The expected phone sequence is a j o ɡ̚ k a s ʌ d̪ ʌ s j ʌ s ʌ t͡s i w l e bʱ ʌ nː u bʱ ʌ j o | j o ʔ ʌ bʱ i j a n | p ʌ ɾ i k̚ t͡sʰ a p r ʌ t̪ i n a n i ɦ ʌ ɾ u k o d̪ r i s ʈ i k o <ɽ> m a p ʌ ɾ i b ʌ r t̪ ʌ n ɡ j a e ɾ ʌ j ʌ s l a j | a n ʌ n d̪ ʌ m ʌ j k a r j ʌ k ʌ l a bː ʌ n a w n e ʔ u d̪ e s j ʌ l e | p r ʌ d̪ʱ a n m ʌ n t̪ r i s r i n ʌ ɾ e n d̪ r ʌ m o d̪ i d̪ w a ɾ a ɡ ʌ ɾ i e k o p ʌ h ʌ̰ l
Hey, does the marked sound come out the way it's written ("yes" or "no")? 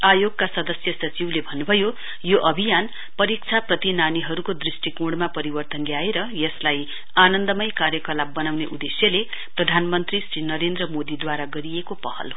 yes